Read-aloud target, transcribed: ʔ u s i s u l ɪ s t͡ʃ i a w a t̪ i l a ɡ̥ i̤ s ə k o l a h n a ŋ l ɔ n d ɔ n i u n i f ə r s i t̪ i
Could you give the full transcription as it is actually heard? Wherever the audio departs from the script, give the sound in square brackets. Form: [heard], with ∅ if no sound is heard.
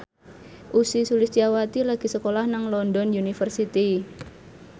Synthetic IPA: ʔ u s i s u l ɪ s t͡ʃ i a w a t̪ i l a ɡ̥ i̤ s ə k o l a h n a ŋ l ɔ n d ɔ n [j] u n i f ə r s i t̪ i